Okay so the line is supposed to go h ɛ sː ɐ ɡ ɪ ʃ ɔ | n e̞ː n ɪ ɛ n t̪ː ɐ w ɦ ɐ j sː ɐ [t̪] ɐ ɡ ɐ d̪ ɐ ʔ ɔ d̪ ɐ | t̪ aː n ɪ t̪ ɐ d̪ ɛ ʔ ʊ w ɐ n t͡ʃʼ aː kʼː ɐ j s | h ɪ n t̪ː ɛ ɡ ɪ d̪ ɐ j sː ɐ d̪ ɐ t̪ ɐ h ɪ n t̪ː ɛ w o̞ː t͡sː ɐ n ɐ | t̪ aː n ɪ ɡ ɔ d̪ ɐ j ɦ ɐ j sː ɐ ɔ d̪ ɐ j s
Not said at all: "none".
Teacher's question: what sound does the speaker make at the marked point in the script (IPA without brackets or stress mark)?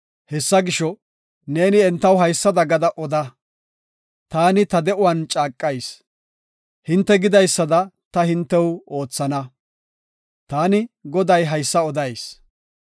d̪